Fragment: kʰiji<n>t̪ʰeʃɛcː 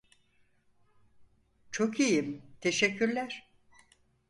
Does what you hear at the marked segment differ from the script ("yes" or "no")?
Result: yes